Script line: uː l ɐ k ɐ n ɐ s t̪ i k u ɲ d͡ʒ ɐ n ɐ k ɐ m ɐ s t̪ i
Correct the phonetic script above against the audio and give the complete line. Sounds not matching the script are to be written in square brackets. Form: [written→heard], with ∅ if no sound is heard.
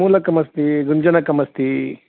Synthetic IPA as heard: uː l ɐ k ɐ [n→m] ɐ s t̪ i [k→ɡ] u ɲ d͡ʒ ɐ n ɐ k ɐ m ɐ s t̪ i